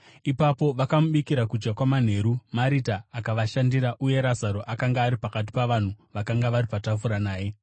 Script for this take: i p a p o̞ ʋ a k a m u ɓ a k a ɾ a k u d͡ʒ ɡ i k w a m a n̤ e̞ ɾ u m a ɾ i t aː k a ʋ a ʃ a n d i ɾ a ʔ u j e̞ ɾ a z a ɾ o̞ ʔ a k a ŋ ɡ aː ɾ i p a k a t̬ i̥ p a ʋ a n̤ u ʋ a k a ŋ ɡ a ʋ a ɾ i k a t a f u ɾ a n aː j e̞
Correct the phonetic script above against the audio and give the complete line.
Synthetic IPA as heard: i p a p o̞ ʋ a k a m u ɓ i k i ɾ a k u d͡ʒ ɡ a k w a m a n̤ e̞ ɾ u m a ɾ i t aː k a ʋ a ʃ a n d i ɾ a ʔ u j e̞ ɾ a z a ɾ o̞ ʔ a k a ŋ ɡ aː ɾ i p a k a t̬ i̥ p a ʋ a n̤ u ʋ a k a ŋ ɡ a ʋ a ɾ i p a t a f u ɾ a n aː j e̞